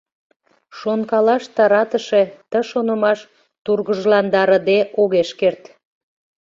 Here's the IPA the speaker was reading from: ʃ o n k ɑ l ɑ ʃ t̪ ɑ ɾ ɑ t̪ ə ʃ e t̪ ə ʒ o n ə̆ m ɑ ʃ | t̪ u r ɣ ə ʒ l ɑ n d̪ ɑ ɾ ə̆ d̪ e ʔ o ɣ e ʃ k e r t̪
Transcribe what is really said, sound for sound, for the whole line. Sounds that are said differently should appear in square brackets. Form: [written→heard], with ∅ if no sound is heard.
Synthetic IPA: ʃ o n k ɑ l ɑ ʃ t̪ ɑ ɾ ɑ t̪ ə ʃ e t̪ ə [ʒ→ʃ] o n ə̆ m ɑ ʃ | t̪ u r ɣ ə ʒ l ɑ n d̪ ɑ ɾ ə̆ d̪ e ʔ o ɣ e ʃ k e r t̪